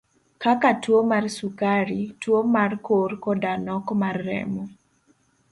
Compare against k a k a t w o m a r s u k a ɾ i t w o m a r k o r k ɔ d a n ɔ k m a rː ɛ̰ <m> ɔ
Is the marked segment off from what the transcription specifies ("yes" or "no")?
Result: no